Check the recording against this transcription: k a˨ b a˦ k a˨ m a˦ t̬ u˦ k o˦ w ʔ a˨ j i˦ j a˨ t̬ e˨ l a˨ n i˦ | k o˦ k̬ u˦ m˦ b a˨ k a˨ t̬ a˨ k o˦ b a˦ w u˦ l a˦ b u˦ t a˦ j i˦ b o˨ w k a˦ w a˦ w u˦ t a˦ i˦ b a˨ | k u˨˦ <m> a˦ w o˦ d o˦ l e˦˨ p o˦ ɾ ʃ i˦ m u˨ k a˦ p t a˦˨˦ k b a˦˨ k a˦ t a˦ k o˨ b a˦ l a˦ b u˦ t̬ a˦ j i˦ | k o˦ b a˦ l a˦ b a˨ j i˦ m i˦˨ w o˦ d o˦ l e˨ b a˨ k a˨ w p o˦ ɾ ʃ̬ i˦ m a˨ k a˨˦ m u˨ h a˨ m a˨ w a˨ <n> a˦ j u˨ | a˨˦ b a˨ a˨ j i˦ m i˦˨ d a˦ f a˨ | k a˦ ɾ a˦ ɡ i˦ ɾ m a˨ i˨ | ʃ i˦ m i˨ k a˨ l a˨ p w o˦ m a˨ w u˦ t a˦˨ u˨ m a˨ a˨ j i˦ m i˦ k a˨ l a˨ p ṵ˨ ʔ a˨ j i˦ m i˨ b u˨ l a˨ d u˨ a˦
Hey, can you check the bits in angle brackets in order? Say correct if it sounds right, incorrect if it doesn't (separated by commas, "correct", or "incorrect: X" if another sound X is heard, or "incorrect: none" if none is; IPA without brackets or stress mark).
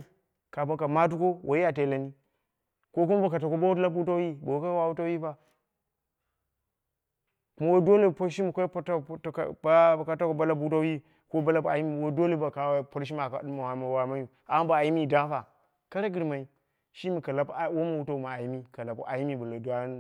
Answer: correct, incorrect: m